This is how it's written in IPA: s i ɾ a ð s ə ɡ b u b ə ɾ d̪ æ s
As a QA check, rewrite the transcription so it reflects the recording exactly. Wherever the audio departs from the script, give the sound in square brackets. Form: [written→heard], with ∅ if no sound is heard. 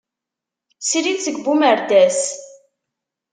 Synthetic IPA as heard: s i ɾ [a→i] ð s ə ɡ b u [b→m] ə ɾ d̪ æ s